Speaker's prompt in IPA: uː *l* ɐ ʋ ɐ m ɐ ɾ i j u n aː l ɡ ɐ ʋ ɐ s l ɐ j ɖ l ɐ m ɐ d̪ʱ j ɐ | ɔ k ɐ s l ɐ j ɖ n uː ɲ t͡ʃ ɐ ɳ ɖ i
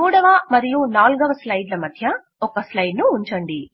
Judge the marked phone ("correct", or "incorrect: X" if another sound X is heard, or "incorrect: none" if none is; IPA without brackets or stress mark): incorrect: ɽ